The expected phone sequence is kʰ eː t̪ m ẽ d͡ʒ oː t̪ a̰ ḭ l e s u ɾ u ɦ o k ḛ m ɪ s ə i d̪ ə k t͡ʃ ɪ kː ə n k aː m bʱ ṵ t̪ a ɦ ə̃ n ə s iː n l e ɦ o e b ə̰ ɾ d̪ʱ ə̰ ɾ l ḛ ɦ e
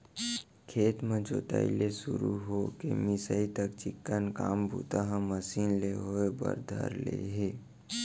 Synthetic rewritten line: kʰ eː t̪ m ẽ d͡ʒ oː t̪ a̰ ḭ l e s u ɾ u ɦ o k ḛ m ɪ s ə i t̪ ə k t͡ʃ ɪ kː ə n k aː m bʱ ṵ t̪ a ɦ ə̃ m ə s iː n l e ɦ o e b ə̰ ɾ d̪ʱ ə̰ ɾ l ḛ ɦ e

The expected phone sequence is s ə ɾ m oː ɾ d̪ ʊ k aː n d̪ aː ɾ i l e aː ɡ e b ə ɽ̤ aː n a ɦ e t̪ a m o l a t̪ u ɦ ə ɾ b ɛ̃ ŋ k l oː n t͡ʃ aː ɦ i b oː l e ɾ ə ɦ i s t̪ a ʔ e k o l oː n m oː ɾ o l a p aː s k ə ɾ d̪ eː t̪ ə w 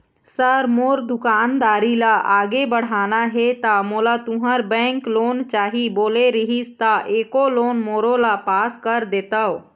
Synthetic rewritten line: s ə ɾ m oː ɾ d̪ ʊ k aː n d̪ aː ɾ i l a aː ɡ e b ə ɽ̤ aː n a ɦ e t̪ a m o l a t̪ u ɦ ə ɾ b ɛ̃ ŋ k l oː n t͡ʃ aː ɦ i b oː l e ɾ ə ɦ i s t̪ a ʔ e k o l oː n m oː ɾ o l a p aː s k ə ɾ d̪ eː t̪ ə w

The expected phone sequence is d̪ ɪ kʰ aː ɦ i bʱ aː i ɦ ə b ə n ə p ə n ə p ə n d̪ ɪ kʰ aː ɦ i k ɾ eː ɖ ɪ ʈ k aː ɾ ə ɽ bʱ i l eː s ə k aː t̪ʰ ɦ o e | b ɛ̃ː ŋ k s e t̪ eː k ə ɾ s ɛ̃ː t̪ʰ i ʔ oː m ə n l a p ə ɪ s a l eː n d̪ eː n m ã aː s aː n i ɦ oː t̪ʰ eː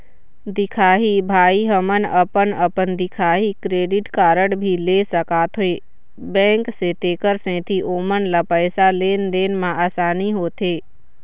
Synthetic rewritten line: d̪ ɪ kʰ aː ɦ i bʱ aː i ɦ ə m ə n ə p ə n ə p ə n d̪ ɪ kʰ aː ɦ i k ɾ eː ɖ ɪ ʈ k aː ɾ ə ɽ bʱ i l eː s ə k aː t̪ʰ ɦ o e | b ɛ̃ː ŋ k s e t̪ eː k ə ɾ s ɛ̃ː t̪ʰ i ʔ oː m ə n l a p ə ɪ s a l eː n d̪ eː n m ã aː s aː n i ɦ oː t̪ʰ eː

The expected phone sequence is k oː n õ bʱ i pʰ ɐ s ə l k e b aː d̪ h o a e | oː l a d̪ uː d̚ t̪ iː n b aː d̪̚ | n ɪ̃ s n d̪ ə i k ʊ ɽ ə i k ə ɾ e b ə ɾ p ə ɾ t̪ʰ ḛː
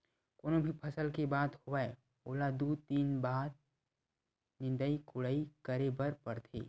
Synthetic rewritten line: k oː n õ bʱ i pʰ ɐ s ə l k e b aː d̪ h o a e | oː l a d̪ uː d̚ t̪ iː n b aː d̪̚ | n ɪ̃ n d̪ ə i k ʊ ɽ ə i k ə ɾ e b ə ɾ p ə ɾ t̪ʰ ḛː

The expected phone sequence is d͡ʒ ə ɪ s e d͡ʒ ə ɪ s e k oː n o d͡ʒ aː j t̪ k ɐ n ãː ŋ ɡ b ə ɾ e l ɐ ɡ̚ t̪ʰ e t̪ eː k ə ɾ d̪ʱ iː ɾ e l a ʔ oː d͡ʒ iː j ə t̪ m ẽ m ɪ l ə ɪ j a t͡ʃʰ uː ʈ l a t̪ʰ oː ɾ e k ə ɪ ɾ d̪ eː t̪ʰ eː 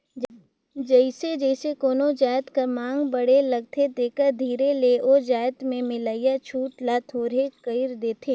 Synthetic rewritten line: d͡ʒ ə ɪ s e d͡ʒ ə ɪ s e k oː n o d͡ʒ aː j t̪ k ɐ m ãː ŋ ɡ b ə ɽ e l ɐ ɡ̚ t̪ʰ e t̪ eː k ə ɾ d̪ʱ iː ɾ e l e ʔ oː d͡ʒ aː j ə t̪ m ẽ m ɪ l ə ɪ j a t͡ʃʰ uː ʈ l a t̪ʰ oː ɾ e k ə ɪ ɾ d̪ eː t̪ʰ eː

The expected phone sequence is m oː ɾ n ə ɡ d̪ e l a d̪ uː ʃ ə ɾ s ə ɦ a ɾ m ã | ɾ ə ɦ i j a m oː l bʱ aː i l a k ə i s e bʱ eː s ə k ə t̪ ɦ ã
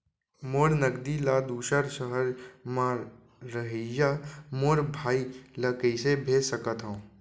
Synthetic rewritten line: m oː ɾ n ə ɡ d̪ i l a d̪ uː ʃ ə ɾ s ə ɦ ə ɾ m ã | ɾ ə ɦ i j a m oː ɾ bʱ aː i l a k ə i s e bʱ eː s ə k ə t̪ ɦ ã

